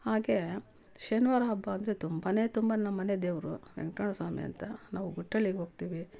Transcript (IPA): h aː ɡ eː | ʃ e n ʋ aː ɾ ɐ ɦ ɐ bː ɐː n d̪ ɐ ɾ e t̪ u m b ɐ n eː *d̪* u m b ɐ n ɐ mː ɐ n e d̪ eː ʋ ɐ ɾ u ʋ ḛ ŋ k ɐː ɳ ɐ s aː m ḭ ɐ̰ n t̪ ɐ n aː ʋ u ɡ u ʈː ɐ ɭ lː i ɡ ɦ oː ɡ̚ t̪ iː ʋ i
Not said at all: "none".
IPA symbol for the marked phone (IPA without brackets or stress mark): t̪